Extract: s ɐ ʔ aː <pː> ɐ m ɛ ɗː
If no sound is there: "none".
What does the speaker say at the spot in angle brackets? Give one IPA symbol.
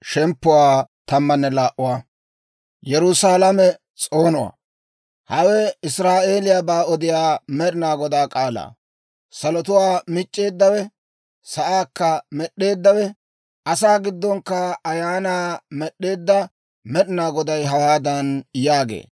kː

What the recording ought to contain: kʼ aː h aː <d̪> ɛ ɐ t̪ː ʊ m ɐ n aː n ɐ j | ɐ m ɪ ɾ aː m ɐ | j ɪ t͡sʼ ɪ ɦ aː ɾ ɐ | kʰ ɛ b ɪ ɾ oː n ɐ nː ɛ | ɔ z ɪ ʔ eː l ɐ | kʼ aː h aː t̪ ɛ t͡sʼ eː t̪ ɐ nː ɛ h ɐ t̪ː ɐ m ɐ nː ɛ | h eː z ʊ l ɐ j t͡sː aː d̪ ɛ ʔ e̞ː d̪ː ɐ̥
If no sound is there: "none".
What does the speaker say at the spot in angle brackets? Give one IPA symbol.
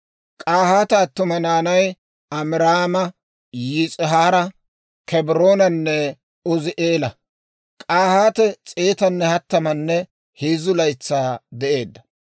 t̪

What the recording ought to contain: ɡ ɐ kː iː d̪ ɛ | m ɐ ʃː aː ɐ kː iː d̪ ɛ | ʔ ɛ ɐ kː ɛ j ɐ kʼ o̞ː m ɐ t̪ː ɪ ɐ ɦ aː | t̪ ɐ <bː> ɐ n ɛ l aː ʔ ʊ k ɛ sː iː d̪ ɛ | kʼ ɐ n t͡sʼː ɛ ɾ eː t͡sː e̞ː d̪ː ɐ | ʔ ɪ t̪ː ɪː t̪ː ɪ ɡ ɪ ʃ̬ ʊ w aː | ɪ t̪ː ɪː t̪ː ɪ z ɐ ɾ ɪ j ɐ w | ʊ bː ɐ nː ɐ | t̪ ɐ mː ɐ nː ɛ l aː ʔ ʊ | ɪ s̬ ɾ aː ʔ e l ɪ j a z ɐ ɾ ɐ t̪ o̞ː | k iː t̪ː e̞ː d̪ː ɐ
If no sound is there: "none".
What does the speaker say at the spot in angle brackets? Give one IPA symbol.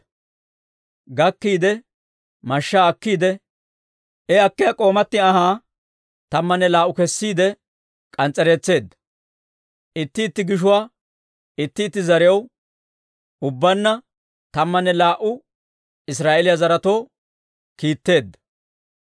mː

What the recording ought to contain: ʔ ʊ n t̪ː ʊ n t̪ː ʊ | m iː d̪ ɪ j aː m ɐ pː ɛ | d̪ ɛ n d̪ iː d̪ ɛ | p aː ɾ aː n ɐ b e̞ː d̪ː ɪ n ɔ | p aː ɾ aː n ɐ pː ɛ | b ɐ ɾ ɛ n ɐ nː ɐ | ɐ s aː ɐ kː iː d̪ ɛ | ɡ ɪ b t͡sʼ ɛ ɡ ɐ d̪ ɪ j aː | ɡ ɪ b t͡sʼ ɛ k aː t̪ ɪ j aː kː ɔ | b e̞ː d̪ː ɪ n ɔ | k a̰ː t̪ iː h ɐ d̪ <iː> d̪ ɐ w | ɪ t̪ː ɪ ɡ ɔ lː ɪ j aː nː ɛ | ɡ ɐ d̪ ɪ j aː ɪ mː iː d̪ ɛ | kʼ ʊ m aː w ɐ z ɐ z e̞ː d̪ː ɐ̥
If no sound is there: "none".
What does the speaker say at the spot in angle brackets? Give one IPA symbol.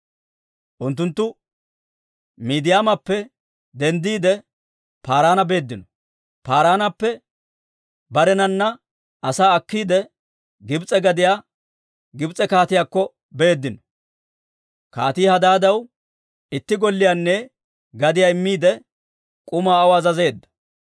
aː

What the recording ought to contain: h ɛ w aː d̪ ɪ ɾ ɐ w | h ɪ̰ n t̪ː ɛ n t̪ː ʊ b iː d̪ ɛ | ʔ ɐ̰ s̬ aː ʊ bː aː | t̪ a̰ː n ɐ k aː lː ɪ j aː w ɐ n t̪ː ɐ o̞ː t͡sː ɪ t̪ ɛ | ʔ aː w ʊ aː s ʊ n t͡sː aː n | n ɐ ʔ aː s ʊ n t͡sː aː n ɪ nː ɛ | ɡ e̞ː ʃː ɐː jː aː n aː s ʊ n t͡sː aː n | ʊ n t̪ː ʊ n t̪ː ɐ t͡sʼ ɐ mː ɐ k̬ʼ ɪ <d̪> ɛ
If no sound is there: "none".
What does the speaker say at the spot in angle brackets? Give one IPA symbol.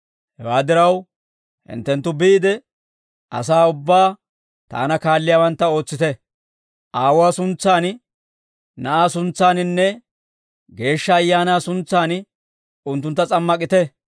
t̪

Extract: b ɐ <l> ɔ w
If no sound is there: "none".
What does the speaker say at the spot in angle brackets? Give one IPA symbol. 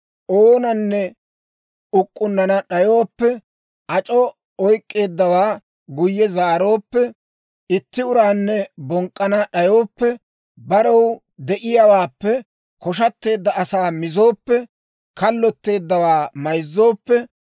ɾ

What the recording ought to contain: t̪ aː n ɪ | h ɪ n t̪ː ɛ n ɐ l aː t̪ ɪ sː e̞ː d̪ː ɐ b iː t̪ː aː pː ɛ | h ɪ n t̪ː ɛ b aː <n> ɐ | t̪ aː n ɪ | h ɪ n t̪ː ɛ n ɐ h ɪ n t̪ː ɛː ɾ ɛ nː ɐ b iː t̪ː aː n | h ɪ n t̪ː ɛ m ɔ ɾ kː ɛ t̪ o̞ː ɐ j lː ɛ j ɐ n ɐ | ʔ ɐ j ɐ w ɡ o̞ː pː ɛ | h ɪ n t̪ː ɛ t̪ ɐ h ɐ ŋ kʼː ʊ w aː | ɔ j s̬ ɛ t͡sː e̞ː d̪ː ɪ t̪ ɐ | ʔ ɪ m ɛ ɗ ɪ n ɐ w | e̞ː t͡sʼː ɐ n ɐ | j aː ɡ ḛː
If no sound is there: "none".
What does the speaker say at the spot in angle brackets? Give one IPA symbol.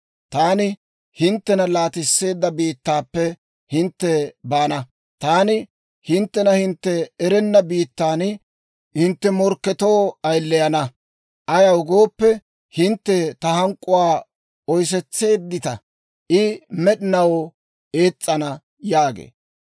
n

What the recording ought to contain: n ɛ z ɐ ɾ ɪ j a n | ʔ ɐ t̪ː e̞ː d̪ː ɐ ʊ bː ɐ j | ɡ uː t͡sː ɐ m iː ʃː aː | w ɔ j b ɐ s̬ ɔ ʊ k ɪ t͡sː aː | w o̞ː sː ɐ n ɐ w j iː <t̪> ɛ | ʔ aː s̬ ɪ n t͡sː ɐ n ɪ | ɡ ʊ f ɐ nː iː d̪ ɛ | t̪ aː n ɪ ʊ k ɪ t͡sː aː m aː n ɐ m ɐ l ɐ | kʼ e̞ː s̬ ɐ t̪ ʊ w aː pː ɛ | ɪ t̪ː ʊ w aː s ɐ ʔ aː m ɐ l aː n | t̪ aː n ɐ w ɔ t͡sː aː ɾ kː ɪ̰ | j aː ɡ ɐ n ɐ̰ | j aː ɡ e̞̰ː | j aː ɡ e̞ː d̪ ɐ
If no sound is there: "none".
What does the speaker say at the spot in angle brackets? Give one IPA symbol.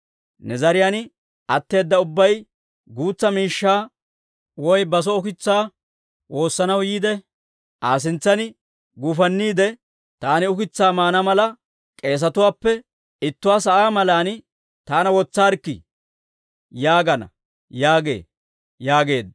d̪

